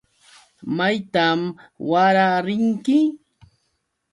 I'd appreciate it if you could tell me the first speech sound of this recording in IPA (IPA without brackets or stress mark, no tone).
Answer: m